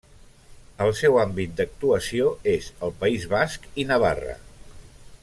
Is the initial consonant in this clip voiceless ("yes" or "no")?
no